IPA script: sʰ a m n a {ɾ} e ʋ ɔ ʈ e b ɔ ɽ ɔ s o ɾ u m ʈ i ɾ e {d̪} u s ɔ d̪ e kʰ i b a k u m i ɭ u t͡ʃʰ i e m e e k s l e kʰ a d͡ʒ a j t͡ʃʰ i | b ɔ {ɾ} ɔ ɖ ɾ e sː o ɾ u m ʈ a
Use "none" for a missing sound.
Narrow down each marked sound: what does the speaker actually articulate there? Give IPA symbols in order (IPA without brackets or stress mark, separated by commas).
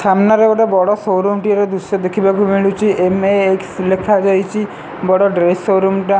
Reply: ɾ, d̪, ɽ